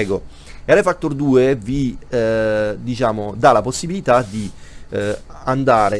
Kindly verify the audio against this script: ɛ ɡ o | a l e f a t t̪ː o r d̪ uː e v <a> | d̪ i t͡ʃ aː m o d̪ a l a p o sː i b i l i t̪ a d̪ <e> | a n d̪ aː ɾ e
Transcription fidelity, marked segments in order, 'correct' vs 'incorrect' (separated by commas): incorrect, incorrect